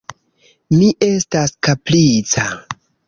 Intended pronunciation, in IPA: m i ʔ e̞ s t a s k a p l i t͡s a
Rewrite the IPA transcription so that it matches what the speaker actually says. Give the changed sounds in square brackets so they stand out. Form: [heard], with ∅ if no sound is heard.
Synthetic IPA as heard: m i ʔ e̞ s t a s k a p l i t͡s a